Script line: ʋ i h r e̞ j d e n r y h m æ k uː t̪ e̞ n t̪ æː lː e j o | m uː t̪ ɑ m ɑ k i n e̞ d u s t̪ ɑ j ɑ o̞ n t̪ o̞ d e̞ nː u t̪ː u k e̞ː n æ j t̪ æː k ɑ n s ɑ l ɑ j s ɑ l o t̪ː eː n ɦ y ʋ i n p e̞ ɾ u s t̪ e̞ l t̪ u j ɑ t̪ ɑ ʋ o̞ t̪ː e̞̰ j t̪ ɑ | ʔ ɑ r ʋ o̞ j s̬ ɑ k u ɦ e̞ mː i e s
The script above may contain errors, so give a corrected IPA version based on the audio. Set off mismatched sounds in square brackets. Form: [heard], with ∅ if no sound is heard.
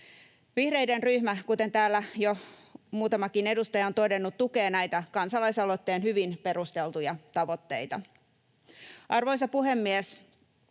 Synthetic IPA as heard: ʋ i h r e̞ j d e n r y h m æ k [u] t̪ e̞ n t̪ æː lː [æ] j o | m uː t̪ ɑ m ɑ k i n e̞ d u s t̪ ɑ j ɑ o̞ n t̪ o̞ d e̞ nː u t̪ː u k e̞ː n æ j t̪ [æ] k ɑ n s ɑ l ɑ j s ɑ l o t̪ː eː n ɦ y ʋ i n p e̞ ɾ u s t̪ e̞ l t̪ u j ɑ t̪ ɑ ʋ o̞ t̪ː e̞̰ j t̪ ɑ | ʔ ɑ r ʋ o̞ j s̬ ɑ [p] u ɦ e̞ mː i e s

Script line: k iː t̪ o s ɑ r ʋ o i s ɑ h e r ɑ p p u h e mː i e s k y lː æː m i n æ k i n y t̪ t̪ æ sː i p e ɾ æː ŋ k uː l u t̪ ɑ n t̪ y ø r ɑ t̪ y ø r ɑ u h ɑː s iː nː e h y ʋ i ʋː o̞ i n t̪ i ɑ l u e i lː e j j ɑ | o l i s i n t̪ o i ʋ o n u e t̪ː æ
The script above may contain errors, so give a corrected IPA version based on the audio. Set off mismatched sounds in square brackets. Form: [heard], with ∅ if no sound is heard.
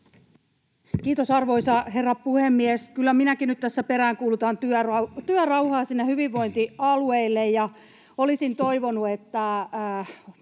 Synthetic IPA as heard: k iː t̪ o s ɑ r ʋ o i s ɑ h e [rː] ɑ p p u h e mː i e s k y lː [æ] m i n æ k i n y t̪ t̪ æ sː [æ] p e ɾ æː ŋ k uː l u t̪ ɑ n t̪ y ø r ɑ t̪ y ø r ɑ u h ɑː s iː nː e h y ʋ i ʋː o̞ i n t̪ i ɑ l u e i lː e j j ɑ | o l i s i n t̪ o i ʋ o n u e t̪ː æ

